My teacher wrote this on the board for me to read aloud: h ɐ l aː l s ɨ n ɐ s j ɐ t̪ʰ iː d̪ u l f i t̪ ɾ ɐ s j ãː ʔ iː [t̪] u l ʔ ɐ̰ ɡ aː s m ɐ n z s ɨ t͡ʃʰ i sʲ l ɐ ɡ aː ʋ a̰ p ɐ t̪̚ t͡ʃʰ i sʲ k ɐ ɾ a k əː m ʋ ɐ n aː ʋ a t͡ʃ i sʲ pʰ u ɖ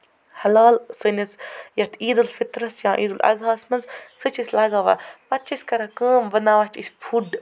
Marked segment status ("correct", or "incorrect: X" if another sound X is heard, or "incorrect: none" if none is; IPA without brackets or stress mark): incorrect: d̪